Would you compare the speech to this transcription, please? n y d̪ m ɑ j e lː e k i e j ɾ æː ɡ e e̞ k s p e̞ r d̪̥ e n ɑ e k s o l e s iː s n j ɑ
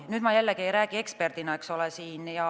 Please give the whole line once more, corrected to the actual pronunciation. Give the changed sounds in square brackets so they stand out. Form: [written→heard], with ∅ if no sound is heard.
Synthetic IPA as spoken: n y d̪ m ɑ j [e→æ] lː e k i e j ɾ æː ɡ [e→i] e̞ k s p e̞ r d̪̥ [e→i] n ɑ e k s o l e s iː [s→∅] n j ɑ